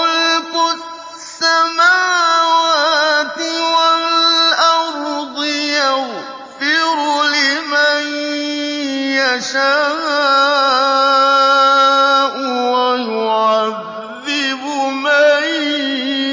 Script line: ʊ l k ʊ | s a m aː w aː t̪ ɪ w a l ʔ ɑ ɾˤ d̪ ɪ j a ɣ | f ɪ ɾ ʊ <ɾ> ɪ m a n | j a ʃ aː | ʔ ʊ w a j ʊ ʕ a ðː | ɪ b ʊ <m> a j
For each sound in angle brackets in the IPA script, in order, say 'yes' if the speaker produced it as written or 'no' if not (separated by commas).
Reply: no, yes